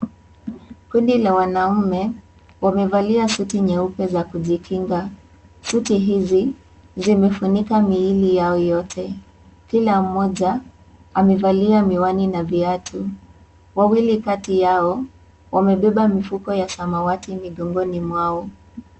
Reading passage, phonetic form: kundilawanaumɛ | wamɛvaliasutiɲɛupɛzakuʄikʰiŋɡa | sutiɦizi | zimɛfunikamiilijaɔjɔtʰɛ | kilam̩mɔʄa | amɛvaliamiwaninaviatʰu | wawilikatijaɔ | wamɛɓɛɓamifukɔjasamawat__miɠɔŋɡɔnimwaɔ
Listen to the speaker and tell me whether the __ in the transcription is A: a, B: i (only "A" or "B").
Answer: B